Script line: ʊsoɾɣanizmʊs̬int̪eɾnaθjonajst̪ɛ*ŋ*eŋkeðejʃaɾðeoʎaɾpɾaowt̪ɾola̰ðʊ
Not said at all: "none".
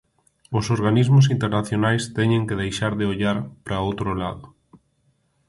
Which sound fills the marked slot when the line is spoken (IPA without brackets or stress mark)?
ɲ